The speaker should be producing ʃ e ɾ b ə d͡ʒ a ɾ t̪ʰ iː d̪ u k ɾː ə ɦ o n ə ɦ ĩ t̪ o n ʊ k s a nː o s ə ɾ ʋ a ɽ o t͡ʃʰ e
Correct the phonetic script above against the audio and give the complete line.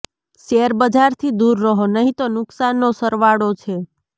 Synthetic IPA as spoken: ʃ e ɾ b ə d͡ʒ a ɾ t̪ʰ i d̪ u ɾː ə ɦ o n ə ɦ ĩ t̪ o n ʊ k s a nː o s ə ɾ ʋ a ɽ o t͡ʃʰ e